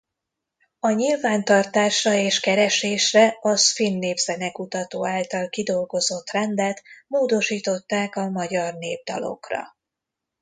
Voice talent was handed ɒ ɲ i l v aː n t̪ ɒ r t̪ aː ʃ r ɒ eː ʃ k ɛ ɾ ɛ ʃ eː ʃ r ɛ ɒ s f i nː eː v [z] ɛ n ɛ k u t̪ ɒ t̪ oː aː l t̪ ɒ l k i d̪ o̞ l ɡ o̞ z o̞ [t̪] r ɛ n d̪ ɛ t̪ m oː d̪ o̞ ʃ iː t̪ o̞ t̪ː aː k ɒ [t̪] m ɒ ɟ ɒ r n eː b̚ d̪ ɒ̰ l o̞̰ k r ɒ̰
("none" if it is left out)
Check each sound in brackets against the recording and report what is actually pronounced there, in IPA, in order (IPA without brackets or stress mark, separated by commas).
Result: z, t̪, none